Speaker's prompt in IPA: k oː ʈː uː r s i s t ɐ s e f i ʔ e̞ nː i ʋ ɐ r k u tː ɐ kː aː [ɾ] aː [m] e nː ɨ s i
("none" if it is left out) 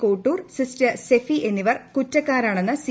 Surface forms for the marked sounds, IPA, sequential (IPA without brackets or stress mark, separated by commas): ɾ, ɳ